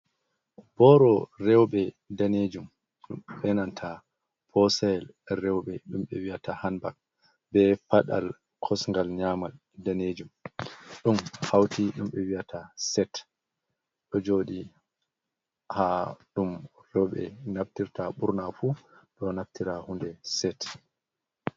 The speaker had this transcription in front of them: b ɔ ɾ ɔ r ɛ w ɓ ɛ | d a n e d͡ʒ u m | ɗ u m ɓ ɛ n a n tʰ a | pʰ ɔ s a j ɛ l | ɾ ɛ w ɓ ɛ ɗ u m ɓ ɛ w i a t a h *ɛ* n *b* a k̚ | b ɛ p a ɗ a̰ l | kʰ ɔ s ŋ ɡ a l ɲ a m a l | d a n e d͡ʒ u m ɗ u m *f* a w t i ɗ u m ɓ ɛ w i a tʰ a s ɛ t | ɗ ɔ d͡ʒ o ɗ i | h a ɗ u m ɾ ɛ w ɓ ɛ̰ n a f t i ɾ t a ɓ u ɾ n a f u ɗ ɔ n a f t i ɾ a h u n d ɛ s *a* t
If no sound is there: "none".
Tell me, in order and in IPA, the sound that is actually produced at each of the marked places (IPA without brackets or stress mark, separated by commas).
a, b, h, ɛ